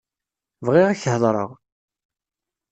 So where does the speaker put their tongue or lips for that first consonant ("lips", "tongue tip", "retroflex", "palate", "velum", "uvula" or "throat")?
lips